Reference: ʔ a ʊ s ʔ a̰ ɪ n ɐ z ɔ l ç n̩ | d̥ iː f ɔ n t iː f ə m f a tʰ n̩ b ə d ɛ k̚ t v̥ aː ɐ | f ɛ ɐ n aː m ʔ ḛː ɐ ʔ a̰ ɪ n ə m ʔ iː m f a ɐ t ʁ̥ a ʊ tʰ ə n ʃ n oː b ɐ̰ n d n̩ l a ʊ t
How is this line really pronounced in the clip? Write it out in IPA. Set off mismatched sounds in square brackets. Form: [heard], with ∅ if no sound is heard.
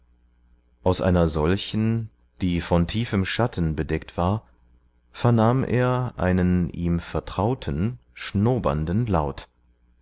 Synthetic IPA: ʔ a ʊ s ʔ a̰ ɪ n ɐ z ɔ l ç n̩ | d̥ iː f ɔ n [tʰ] iː f ə m [ʃ] a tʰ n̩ b ə d ɛ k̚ t v̥ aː ɐ | f ɛ ɐ n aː m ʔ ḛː ɐ ʔ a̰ ɪ n ə [n] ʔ iː m f [ɛ] ɐ t ʁ̥ a ʊ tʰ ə n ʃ n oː b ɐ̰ n d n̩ l a ʊ t